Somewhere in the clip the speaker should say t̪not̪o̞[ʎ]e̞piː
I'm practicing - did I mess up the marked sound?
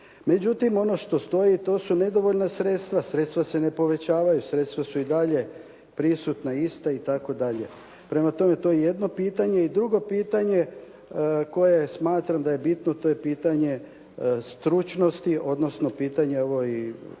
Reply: yes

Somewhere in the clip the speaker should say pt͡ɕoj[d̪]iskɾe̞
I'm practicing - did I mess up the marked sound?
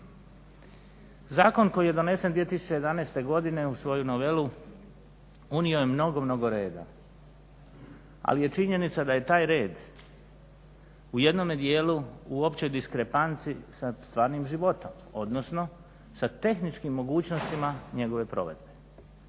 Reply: no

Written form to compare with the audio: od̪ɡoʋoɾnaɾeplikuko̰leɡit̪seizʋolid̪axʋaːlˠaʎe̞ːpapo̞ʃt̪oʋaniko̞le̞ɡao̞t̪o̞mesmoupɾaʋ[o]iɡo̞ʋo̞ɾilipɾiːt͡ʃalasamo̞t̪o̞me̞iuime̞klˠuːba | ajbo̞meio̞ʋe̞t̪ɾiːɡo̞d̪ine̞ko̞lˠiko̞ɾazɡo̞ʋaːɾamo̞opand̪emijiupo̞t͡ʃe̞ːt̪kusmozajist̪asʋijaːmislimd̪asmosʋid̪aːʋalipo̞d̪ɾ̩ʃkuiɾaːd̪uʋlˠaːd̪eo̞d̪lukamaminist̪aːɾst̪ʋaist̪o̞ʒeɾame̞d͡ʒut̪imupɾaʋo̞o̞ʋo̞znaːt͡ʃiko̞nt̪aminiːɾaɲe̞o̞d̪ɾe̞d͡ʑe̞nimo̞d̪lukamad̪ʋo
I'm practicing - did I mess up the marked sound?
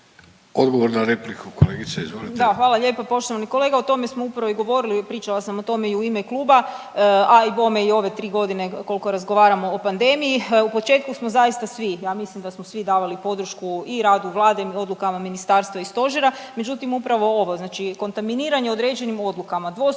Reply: no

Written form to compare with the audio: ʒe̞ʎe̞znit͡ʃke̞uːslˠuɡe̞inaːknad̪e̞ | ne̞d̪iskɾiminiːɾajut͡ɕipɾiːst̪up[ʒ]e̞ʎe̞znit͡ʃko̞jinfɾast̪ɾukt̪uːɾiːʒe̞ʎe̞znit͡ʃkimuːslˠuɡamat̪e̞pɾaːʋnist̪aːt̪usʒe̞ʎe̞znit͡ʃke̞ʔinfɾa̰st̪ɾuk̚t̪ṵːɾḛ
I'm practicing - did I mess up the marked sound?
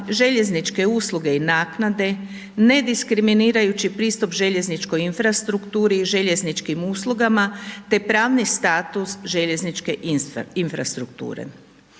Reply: no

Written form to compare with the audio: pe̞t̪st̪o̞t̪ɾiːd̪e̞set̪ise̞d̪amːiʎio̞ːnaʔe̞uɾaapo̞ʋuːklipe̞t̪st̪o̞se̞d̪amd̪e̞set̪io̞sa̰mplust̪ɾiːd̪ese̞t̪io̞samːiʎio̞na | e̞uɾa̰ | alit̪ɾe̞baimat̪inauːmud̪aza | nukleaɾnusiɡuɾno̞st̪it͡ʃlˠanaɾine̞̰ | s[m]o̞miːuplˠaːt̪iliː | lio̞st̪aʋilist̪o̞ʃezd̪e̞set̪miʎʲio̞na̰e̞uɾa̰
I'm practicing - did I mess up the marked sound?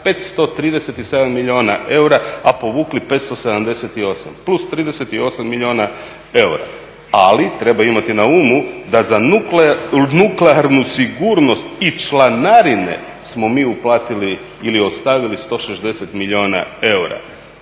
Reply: no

